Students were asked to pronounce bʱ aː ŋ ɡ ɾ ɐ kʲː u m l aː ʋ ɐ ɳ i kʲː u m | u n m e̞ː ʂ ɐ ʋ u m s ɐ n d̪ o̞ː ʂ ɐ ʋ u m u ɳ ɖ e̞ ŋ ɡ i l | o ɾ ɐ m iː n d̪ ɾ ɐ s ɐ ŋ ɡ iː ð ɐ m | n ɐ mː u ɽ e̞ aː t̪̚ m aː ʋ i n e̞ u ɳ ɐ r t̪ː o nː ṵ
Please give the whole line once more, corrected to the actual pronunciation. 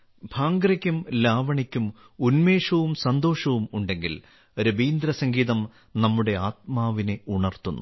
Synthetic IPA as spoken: bʱ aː ŋ ɡ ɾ ɐ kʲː u m l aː ʋ ɐ ɳ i kʲː u m | u n m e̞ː ʂ ɐ ʋ u m s ɐ n d̪ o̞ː ʂ ɐ ʋ u m u ɳ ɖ e̞ ŋ ɡ i l | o ɾ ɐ b iː n d̪ ɾ ɐ s ɐ ŋ ɡ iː ð ɐ m | n ɐ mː u ɽ e̞ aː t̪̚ m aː ʋ i n e̞ u ɳ ɐ r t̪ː u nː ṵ